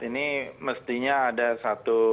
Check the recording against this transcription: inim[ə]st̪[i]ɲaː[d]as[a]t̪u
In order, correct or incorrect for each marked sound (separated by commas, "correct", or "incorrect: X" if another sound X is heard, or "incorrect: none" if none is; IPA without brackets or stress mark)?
correct, correct, correct, correct